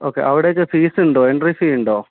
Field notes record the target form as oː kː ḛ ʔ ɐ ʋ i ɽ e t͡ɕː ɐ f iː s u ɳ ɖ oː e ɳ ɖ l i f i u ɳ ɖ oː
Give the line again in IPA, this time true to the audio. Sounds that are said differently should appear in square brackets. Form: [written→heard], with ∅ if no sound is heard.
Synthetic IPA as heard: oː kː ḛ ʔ ɐ ʋ i ɽ e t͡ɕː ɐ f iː s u ɳ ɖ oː e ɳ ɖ [l→r] i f i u ɳ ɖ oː